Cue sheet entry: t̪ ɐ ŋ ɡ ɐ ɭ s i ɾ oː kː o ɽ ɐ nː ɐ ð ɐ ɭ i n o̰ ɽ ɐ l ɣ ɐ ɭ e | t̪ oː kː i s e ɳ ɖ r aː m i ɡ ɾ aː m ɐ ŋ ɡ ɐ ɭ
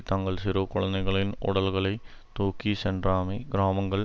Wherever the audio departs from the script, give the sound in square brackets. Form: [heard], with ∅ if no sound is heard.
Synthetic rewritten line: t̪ ɐ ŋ ɡ ɐ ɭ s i ɾ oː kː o [ɭ] ɐ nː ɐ [ɣ] ɐ ɭ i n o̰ ɽ ɐ l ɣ ɐ ɭ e | t̪ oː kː i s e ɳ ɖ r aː m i ɡ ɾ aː m ɐ ŋ ɡ ɐ ɭ

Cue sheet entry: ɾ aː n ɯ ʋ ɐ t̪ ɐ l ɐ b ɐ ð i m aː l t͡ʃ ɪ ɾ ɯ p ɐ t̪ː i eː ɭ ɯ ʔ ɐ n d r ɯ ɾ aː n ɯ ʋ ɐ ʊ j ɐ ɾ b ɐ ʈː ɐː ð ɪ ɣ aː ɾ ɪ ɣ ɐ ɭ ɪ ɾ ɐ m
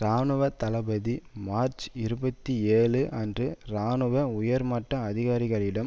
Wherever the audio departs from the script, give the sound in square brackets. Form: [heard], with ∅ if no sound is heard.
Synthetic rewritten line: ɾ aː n ɯ ʋ ɐ t̪ ɐ l ɐ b ɐ ð i m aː [ɾ] t͡ʃ ɪ ɾ ɯ [b] ɐ t̪ː i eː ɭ ɯ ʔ ɐ n d r ɯ ɾ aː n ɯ ʋ ɐ ʊ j ɐ ɾ [m] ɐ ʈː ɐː ð ɪ ɣ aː ɾ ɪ ɣ ɐ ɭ ɪ [ɽ] ɐ m

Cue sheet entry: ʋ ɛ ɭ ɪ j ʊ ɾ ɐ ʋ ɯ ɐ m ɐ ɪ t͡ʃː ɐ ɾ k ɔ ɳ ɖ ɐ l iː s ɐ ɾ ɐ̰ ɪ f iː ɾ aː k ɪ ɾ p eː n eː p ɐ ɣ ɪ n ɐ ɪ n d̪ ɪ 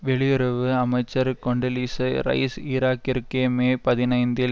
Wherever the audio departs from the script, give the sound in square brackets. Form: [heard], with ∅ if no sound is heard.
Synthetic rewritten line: ʋ ɛ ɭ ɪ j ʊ ɾ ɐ ʋ ɯ ɐ m ɐ ɪ t͡ʃː ɐ ɾ k ɔ ɳ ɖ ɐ l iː s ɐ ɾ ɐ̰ ɪ [s] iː ɾ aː k ɪ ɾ [k] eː [m] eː p ɐ [ð] ɪ n ɐ ɪ n d̪ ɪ

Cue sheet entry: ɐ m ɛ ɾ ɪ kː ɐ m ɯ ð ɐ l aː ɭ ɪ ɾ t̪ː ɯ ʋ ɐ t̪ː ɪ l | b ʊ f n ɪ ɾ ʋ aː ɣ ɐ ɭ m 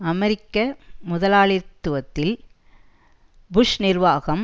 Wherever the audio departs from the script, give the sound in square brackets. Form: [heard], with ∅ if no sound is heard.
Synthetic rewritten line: ɐ m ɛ ɾ ɪ kː ɐ m [ʊ] ð ɐ l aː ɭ ɪ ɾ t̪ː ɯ ʋ ɐ t̪ː ɪ l | b ʊ [ʂ] n ɪ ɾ ʋ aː ɣ ɐ [∅] m

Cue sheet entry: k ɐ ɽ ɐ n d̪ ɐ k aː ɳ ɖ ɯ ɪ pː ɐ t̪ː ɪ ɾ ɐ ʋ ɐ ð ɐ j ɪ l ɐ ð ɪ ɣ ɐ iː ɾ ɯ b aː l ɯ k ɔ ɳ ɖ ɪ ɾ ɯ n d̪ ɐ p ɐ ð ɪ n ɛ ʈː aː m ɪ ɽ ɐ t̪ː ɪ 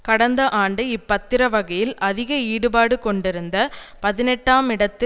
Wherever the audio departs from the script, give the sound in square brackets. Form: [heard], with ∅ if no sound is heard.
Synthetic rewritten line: k ɐ ɽ ɐ n d̪ ɐ [ʔ] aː ɳ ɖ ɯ ɪ pː ɐ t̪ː ɪ ɾ ɐ ʋ ɐ [ɣ] ɐ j ɪ l ɐ ð ɪ ɣ ɐ iː [ɽ] ɯ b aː [ɽ] ɯ k ɔ ɳ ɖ ɪ ɾ ɯ n d̪ ɐ p ɐ ð ɪ n ɛ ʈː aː m ɪ ɽ ɐ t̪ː ɪ

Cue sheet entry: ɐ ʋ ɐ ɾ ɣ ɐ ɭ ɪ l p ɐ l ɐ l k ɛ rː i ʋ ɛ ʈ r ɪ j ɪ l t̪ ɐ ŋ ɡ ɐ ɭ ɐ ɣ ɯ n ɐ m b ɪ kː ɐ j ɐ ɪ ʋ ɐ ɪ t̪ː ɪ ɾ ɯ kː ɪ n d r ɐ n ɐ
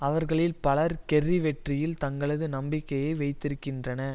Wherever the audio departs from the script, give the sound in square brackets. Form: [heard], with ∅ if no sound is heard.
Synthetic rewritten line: ɐ ʋ ɐ ɾ ɣ ɐ ɭ ɪ l p ɐ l ɐ [ɾ] k ɛ rː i ʋ ɛ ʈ r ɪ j ɪ l t̪ ɐ ŋ ɡ ɐ ɭ ɐ [ð] ɯ n ɐ m b ɪ kː ɐ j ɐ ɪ ʋ ɐ ɪ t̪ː ɪ ɾ ɯ kː ɪ n d r ɐ n ɐ

